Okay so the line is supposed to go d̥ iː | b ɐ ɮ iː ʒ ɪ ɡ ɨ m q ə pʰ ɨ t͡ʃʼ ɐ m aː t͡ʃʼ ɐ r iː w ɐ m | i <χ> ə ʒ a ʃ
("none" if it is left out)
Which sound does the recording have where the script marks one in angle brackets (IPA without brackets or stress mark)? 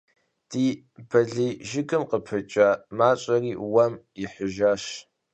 ħ